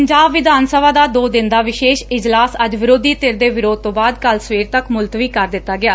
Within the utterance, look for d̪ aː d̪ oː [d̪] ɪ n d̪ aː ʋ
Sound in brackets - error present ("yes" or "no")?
no